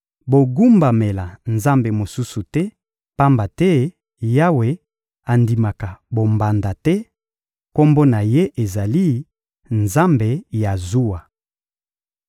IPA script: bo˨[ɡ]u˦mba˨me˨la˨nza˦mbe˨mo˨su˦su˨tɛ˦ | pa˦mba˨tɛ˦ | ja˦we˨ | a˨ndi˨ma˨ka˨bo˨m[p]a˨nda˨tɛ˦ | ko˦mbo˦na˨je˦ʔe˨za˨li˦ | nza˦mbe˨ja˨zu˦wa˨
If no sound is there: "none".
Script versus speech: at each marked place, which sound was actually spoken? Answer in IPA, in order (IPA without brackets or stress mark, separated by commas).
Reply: ɡ, b